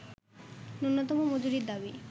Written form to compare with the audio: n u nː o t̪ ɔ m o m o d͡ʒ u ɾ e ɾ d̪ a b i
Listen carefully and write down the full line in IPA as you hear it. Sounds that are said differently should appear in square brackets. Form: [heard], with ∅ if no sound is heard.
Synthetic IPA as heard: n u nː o t̪ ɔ m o m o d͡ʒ u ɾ [i] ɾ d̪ a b i